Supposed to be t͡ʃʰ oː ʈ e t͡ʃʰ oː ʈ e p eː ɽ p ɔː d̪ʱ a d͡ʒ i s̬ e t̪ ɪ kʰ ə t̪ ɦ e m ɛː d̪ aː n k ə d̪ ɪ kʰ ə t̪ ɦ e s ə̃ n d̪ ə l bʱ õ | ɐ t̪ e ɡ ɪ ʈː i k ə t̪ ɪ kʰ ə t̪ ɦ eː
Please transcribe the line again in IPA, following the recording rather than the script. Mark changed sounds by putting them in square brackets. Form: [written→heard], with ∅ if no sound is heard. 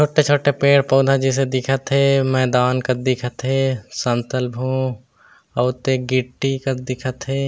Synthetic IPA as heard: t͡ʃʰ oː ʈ e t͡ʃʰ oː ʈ e p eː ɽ p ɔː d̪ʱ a d͡ʒ i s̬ e [t̪→d̪] ɪ kʰ ə t̪ ɦ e m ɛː d̪ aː n k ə d̪ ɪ kʰ ə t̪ ɦ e s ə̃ n [d̪→t̪] ə l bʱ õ | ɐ t̪ e ɡ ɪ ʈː i k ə [t̪→d̪] ɪ kʰ ə t̪ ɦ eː